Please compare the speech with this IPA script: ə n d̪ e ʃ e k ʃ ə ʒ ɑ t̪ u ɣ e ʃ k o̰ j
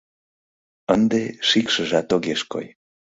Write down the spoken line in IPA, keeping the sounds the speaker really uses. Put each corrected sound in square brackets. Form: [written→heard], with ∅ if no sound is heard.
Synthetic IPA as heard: ə n d̪ e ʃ [e→i] k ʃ ə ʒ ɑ t̪ [u→o] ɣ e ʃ k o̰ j